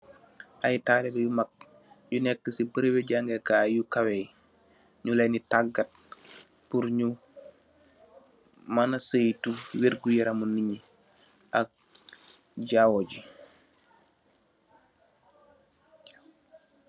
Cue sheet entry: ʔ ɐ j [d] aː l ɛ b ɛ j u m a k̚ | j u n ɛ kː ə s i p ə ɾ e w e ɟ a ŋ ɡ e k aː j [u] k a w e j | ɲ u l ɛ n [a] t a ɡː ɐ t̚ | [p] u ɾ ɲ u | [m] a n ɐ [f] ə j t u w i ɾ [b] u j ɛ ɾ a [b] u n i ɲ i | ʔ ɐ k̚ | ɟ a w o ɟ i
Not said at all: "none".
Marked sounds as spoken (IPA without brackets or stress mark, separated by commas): t, u, i, p, m, s, ɡ, m